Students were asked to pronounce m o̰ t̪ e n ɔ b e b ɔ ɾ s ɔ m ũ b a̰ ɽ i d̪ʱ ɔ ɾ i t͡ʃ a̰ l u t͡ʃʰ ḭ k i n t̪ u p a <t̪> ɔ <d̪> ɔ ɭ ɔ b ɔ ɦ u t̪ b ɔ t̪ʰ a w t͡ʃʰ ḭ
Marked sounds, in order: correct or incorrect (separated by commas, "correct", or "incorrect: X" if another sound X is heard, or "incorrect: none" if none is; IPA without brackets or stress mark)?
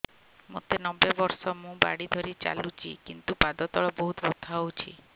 incorrect: d̪, incorrect: t̪